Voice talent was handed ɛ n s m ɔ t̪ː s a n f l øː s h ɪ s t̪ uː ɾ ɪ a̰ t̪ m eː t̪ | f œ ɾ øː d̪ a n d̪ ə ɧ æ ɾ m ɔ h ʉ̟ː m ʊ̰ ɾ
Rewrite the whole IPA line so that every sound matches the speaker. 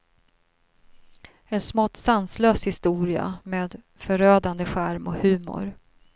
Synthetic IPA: ɛ n s m ɔ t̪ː s a n s l øː s h ɪ s t̪ uː ɾ ɪ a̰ m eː d̪ | f œ ɾ øː d̪ a n d̪ ə ɧ æ ɾ m ɔ h ʉ̟ː m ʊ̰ ɾ